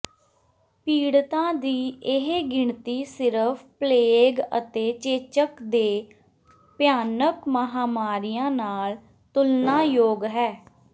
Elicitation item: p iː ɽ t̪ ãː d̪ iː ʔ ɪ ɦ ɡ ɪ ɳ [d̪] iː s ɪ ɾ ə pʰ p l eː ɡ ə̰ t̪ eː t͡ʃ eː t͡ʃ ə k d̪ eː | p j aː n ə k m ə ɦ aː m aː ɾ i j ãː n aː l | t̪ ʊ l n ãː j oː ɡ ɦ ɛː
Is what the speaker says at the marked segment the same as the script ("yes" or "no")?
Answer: no